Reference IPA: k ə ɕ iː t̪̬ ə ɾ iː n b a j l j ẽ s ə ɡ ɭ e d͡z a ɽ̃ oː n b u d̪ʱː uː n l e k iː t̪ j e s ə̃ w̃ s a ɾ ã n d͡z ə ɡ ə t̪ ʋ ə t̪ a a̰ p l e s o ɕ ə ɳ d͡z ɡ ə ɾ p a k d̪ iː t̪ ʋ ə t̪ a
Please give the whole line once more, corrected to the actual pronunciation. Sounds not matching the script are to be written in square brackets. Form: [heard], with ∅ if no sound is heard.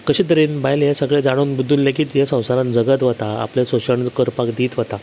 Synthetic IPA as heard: k ə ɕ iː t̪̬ ə ɾ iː n b a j l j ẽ s ə ɡ ɭ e d͡z a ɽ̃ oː n b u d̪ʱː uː n l e k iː t̪ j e s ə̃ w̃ s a ɾ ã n d͡z ə ɡ ə t̪ ʋ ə t̪ a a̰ p l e s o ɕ ə ɳ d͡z [k] ə ɾ p a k d̪ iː t̪ ʋ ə t̪ a